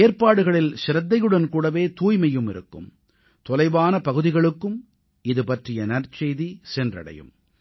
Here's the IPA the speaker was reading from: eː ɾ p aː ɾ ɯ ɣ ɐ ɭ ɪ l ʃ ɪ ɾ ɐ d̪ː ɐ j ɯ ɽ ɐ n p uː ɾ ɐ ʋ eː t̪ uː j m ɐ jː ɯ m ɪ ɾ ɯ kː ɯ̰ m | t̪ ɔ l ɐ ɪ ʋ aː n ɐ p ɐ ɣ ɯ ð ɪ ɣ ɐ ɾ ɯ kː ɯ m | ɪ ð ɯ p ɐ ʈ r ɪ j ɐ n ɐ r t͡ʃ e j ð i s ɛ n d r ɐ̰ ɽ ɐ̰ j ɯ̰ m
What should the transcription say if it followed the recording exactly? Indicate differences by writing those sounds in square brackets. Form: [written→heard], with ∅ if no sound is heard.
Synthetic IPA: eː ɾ p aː [ɾ→ɽ] ɯ ɣ ɐ ɭ ɪ l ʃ ɪ ɾ ɐ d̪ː ɐ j ɯ ɽ ɐ n [p→k] uː [ɾ→ɽ] ɐ ʋ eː t̪ uː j m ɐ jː ɯ m ɪ ɾ ɯ kː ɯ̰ m | t̪ ɔ l ɐ ɪ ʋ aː n ɐ p ɐ ɣ ɯ ð ɪ ɣ ɐ [ɾ→ɭ] ɯ kː ɯ m | ɪ ð ɯ p ɐ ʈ r ɪ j ɐ n ɐ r t͡ʃ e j ð i s ɛ n d r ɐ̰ ɽ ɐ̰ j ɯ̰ m